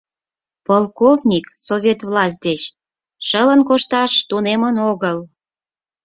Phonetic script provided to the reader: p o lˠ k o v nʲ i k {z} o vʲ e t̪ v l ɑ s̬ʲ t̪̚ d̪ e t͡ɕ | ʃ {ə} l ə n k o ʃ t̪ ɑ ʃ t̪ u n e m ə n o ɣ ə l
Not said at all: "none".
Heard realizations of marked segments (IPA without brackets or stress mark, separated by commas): s, ə